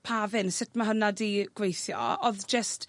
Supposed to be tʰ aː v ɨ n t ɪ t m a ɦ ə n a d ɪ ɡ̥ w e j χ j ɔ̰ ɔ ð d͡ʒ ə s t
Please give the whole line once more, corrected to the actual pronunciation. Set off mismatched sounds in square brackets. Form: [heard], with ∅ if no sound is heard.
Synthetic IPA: [pʰ] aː v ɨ n [s] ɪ t m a ɦ ə n a d [i] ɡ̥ w e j [θ] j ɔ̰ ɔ ð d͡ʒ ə s t